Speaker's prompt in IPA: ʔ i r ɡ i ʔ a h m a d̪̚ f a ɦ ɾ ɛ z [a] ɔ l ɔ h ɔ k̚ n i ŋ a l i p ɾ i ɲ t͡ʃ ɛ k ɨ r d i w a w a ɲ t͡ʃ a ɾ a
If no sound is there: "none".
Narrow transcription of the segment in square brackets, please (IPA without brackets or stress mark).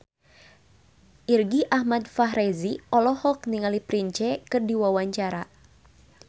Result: i